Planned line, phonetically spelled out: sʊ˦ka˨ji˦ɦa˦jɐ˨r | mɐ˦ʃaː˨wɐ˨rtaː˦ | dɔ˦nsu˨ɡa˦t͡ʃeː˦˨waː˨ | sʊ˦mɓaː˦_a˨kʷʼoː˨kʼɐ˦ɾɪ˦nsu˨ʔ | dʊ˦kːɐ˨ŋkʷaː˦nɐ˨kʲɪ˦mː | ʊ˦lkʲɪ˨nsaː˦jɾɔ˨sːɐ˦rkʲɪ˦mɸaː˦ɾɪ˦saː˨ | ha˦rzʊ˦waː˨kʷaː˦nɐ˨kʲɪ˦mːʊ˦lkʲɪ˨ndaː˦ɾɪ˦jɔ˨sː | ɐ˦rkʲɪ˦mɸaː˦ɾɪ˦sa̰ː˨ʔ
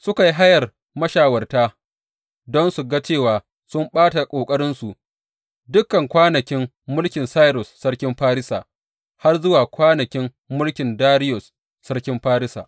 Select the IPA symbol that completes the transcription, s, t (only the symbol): t